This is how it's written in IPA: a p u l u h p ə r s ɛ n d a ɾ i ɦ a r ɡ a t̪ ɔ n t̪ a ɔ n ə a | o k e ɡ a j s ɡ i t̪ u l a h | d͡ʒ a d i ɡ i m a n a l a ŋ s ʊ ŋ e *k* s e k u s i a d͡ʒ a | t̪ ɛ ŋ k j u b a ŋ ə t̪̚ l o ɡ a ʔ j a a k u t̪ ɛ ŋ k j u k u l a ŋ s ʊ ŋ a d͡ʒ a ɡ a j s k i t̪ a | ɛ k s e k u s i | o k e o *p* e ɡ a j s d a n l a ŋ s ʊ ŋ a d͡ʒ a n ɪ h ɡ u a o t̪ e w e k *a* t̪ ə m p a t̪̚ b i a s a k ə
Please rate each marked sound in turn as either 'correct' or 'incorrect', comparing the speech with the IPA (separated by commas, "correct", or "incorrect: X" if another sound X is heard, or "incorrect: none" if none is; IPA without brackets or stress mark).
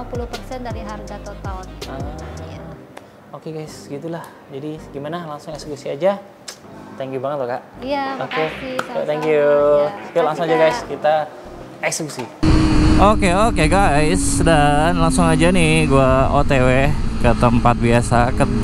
correct, incorrect: k, incorrect: ə